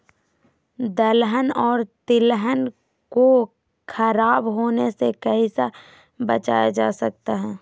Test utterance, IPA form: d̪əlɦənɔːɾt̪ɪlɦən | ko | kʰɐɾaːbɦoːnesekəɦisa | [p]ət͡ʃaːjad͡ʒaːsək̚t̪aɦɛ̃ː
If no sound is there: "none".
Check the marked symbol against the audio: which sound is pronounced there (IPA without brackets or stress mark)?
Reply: b